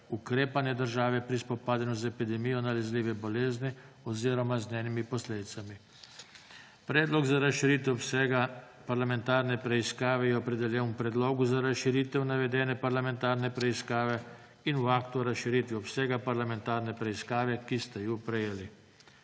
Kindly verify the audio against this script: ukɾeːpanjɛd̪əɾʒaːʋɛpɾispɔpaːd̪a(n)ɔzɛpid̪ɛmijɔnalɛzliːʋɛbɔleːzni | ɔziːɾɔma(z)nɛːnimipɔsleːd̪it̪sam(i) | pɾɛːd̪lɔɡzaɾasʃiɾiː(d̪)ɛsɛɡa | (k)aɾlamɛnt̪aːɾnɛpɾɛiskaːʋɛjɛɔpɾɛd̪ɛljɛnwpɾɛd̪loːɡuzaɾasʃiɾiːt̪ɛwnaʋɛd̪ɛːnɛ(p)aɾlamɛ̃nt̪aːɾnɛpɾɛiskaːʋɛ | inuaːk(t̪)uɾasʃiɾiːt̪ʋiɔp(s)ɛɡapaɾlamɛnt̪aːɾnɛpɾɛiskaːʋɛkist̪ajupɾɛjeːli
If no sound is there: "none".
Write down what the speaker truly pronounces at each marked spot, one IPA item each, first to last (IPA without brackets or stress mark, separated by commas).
n, z, i, t̪, p, p, t̪, s